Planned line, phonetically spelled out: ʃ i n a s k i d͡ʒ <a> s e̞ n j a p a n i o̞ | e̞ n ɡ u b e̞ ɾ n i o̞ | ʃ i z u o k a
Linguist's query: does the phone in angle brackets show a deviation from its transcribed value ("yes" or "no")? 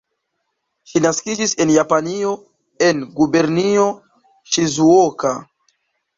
yes